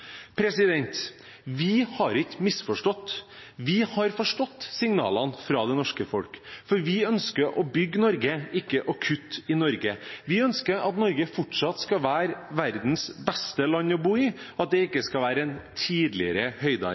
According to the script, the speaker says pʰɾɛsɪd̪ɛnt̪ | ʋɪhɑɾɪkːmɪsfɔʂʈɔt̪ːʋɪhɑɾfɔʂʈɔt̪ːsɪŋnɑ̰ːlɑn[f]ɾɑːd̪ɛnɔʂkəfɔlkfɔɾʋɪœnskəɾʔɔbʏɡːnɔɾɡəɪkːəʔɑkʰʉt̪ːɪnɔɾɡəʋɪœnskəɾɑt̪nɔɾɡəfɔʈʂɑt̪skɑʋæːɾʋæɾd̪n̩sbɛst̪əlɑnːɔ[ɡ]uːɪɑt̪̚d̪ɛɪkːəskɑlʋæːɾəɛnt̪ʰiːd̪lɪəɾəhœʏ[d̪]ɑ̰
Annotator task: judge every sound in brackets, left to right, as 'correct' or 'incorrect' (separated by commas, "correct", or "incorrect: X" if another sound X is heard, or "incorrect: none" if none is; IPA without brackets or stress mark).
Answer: correct, incorrect: b, correct